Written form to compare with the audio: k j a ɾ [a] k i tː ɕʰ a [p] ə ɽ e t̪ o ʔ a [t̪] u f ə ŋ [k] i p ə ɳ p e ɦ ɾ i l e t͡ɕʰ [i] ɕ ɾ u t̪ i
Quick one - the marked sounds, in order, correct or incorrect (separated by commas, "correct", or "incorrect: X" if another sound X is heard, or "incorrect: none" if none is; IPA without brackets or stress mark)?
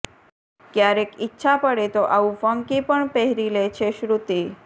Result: incorrect: e, correct, incorrect: none, correct, incorrect: e